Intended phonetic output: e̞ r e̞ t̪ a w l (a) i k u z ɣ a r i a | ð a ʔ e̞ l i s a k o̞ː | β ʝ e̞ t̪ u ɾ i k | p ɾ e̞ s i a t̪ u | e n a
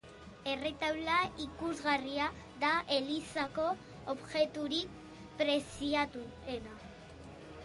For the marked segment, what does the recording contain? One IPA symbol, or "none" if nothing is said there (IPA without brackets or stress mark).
a